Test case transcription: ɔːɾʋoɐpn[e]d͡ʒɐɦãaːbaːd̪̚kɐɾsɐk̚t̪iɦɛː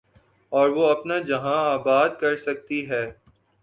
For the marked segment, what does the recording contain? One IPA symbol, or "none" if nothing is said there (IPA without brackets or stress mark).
a